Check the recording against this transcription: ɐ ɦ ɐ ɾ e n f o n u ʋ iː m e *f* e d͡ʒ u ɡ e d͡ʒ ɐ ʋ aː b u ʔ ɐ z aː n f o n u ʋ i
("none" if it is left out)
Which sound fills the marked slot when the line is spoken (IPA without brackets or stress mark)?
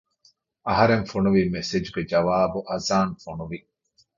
s